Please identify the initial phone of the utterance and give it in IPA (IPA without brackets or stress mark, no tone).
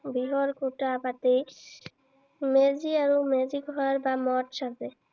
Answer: b